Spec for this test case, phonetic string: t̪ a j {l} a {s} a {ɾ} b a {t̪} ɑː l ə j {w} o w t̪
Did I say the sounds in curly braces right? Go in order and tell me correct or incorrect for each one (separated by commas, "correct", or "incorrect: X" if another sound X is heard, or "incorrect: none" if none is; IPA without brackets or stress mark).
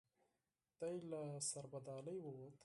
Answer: correct, correct, correct, incorrect: d̪, correct